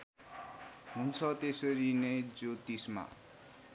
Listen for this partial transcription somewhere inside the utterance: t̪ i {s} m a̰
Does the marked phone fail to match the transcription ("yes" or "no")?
no